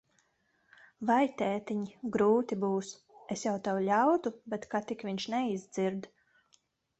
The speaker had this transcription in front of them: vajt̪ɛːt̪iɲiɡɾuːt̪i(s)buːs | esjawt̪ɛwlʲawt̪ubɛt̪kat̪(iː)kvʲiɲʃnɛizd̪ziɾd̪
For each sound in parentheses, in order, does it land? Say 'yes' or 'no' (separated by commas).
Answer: no, no